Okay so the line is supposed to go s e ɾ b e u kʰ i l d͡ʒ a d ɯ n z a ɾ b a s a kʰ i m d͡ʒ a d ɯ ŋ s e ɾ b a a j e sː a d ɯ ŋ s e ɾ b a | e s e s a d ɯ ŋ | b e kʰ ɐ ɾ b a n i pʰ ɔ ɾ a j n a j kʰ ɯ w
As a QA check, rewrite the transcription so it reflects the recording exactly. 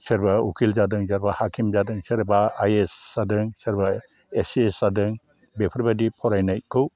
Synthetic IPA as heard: s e ɾ b a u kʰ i l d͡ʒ a d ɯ ŋ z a ɾ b a h a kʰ i m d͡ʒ a d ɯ ŋ s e ɾ b a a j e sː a d ɯ ŋ s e ɾ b a | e s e s a d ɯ ŋ | b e pʰ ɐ ɾ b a d i pʰ ɔ ɾ a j n a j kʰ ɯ w